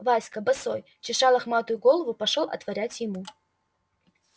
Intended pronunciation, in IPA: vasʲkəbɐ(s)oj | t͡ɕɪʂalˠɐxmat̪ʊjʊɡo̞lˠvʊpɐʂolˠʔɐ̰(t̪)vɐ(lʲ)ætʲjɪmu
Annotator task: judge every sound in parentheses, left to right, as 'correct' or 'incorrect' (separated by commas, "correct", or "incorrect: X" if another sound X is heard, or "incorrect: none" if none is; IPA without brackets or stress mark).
correct, correct, incorrect: ɾʲ